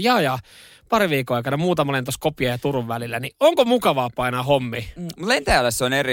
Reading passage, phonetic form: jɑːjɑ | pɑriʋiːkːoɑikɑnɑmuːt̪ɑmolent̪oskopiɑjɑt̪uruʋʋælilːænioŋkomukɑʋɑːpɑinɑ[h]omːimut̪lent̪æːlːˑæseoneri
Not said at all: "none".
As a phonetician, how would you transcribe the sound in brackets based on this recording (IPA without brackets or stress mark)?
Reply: h